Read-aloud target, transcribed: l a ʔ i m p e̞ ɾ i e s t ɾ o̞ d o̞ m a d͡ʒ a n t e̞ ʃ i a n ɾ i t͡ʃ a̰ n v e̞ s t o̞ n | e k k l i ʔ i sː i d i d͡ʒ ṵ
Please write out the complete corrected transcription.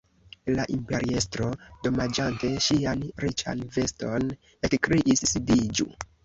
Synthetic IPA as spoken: l a ʔ i m p e̞ ɾ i e s t ɾ o̞ d o̞ m a d͡ʒ a n t e̞ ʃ i a n ɾ i t͡ʃ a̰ n v e̞ s t o̞ n | e k k ɾ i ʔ i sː i d i d͡ʒ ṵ